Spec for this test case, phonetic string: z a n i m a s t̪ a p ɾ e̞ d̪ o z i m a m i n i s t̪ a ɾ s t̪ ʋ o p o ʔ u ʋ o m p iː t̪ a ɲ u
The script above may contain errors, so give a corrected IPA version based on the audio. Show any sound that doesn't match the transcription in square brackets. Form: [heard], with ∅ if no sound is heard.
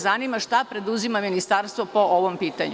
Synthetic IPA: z a n i m a [ʃ] t̪ a p ɾ e̞ d̪ [u] z i m a m i n i s t̪ a ɾ s t̪ ʋ o p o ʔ [o] ʋ o m p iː t̪ a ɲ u